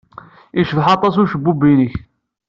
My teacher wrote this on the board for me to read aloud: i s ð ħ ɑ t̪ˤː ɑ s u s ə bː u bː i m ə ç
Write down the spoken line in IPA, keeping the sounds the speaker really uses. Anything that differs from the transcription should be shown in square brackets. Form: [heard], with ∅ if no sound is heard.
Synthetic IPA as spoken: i [ʃ] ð ħ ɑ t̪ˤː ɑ s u [ʃ] ə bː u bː i [n] ə ç